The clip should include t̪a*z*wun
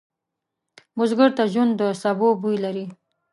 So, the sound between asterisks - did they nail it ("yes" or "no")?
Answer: no